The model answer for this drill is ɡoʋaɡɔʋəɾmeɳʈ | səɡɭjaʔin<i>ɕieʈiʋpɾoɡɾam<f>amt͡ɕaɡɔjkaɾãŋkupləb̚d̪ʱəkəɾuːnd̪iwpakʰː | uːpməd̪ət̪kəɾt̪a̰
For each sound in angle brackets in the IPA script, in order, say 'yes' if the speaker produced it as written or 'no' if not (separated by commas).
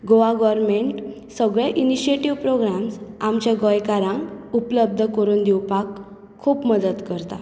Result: yes, no